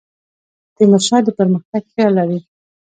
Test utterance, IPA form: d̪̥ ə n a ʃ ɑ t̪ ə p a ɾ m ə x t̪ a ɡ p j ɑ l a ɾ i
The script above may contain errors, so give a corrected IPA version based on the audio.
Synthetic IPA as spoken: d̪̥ ə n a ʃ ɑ d̪ ə p ə ɾ m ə x t̪ a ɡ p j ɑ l a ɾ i